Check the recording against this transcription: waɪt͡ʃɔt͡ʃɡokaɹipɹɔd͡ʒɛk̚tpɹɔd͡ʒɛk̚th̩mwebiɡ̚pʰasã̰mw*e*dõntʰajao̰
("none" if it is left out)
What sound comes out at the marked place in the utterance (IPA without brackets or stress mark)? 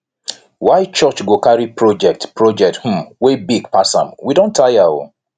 i